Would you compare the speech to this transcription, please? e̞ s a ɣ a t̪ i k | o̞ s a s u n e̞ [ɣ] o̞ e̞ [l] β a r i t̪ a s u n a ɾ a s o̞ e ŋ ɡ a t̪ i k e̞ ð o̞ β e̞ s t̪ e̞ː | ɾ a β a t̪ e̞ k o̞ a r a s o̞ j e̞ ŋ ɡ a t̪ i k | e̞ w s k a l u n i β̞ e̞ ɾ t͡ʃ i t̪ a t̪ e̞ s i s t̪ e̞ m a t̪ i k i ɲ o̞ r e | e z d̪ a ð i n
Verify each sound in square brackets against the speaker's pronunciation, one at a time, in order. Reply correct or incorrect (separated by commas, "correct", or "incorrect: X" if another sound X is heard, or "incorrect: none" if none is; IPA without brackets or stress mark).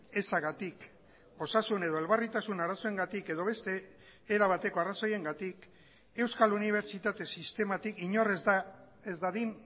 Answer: incorrect: ð, correct